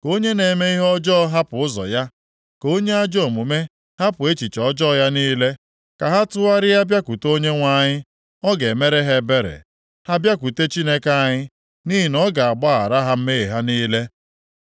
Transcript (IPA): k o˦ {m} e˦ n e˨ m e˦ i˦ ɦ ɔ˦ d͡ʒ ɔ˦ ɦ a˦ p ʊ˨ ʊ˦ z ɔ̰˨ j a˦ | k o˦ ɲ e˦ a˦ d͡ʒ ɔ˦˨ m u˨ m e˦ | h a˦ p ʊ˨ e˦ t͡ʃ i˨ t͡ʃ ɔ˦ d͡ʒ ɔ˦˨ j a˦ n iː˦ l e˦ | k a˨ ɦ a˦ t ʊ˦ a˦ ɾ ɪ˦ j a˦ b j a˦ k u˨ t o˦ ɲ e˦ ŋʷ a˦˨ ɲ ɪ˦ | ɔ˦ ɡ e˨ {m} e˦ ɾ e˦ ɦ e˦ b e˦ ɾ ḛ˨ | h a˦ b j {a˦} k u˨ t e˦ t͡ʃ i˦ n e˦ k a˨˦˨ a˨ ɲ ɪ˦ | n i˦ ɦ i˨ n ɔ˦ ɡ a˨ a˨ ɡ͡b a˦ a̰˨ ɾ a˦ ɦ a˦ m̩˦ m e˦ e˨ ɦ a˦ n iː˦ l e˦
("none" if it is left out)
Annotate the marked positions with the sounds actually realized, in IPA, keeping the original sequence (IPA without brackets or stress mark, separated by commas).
ɲ, m, a˦